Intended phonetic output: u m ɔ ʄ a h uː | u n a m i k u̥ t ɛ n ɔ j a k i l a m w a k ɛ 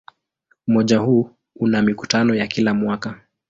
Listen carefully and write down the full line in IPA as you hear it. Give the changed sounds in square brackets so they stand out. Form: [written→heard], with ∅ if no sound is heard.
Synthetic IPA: u m ɔ ʄ a h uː | u n a m i k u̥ t [ɛ→a] n ɔ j a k i l a m w a k [ɛ→a]